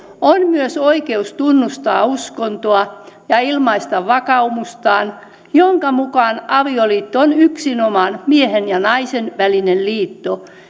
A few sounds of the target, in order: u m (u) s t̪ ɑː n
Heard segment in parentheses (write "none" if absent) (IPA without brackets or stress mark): u